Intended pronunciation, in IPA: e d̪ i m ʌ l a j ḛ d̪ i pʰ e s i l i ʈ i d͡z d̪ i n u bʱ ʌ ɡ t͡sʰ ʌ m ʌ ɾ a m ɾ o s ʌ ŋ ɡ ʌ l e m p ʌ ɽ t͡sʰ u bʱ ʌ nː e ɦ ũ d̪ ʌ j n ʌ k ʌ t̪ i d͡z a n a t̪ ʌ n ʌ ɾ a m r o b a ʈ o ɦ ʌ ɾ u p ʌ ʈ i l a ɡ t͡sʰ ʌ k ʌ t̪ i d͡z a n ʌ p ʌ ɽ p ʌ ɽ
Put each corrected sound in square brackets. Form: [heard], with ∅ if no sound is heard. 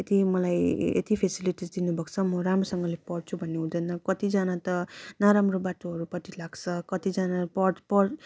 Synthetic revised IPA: e [t̪] i m ʌ l a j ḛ [t̪] i pʰ e s i l i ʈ i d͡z d̪ i n u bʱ ʌ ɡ t͡sʰ ʌ m ʌ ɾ a m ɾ o s ʌ ŋ ɡ ʌ l e [∅] p ʌ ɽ t͡sʰ u bʱ ʌ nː e ɦ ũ d̪ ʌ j n ʌ k ʌ t̪ i d͡z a n a t̪ ʌ n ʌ ɾ a m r o b a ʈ o ɦ ʌ ɾ u p ʌ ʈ i l a ɡ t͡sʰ ʌ k ʌ t̪ i d͡z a n [a] p ʌ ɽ p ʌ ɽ